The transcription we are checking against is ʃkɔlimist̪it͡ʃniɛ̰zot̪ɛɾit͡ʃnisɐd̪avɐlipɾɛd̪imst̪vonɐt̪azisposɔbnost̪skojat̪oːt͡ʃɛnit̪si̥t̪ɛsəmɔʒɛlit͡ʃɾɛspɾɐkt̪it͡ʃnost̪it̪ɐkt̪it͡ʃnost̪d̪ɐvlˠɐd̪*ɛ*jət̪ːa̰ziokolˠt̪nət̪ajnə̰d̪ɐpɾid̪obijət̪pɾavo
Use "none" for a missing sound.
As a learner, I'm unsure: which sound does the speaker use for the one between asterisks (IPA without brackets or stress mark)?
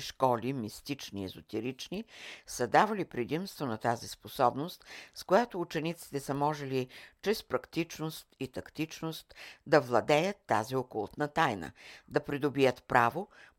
ɛ